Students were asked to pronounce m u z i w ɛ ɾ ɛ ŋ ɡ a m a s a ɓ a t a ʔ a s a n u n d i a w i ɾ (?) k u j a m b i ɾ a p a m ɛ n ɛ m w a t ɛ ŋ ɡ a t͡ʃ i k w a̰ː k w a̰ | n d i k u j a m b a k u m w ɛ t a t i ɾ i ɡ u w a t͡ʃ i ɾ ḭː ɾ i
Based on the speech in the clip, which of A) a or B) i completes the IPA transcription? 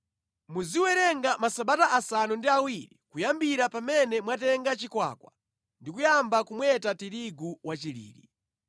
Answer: B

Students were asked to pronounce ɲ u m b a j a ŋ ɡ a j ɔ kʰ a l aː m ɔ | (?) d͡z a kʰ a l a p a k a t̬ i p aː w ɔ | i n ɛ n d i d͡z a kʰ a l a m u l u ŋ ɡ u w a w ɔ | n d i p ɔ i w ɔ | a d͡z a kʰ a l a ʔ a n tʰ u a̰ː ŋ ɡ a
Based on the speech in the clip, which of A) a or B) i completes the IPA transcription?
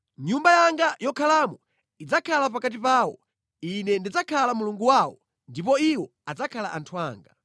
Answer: B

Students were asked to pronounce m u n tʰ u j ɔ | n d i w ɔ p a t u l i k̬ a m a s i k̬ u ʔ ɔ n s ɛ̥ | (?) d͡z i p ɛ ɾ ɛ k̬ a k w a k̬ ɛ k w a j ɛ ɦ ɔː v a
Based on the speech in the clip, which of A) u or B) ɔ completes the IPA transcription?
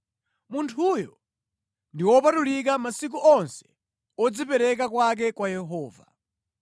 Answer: B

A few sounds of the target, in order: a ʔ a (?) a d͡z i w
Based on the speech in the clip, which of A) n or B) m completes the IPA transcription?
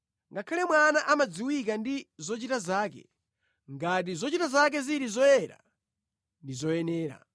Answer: B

